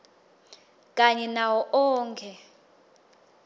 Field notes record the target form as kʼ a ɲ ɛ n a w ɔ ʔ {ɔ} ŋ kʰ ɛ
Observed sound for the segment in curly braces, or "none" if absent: ɔː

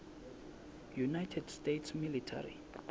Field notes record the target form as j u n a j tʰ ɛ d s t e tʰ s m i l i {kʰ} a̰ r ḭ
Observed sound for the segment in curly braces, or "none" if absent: tʰ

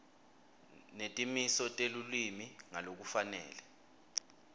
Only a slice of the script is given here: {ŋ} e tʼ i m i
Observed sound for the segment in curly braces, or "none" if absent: n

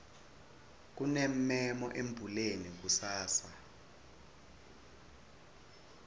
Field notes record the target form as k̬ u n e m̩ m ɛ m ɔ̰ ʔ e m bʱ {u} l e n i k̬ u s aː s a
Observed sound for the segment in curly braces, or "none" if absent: u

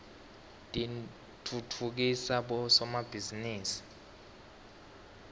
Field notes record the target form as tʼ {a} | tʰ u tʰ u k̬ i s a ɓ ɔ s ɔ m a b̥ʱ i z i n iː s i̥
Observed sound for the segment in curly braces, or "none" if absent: i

